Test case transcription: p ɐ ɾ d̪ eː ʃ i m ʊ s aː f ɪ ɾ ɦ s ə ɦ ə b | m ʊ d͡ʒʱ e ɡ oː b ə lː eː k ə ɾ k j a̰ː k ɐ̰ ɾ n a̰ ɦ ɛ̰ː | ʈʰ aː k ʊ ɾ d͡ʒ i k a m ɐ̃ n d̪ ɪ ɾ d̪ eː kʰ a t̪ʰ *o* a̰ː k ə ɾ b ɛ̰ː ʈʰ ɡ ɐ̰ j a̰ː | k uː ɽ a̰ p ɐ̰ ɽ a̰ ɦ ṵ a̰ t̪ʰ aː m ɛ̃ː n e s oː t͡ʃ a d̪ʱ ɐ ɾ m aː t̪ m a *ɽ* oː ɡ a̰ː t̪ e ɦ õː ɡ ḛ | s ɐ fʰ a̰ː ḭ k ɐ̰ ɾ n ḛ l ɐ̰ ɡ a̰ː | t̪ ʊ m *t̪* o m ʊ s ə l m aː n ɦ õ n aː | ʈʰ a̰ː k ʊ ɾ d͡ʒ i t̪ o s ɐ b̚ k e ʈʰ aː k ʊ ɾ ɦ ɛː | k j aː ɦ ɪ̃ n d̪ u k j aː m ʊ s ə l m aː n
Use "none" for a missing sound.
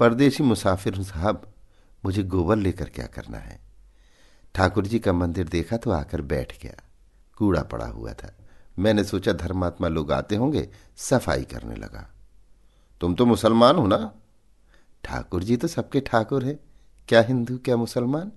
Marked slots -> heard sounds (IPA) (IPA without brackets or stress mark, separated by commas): o, l, t̪